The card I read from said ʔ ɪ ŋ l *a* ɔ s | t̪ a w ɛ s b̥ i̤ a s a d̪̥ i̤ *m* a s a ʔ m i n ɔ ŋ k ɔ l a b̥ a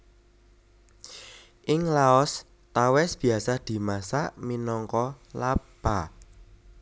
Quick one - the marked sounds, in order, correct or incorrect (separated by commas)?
correct, correct